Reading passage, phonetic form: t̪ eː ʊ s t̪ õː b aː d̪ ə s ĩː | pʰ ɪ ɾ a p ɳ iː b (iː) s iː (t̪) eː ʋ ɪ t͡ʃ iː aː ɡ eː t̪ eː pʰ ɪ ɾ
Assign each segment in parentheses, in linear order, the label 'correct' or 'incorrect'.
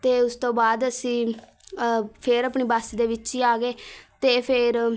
incorrect, incorrect

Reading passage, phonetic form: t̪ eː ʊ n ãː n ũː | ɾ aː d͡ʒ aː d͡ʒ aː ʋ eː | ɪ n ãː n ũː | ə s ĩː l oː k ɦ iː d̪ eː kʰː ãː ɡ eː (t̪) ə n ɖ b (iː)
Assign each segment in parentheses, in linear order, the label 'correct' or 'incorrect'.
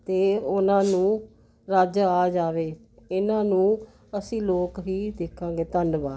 correct, incorrect

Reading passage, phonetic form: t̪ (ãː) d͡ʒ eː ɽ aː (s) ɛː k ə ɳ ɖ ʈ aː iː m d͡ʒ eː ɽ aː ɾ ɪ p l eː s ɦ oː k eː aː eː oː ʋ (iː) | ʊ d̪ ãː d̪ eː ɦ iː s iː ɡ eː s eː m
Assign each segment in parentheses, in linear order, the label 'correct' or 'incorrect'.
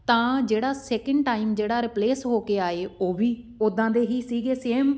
correct, correct, correct

